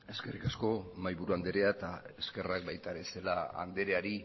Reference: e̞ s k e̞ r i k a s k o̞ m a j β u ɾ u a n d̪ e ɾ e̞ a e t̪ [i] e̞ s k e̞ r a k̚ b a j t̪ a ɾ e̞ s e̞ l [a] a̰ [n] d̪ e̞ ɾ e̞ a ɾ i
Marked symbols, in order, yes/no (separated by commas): no, yes, yes